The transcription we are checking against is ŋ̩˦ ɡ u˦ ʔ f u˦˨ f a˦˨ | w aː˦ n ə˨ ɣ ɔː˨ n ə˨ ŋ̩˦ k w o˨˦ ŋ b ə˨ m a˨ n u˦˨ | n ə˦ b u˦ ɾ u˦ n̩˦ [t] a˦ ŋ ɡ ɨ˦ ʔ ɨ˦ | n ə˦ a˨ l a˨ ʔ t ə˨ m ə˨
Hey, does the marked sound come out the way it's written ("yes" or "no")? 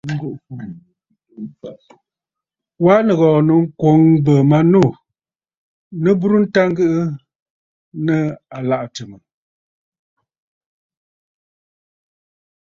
yes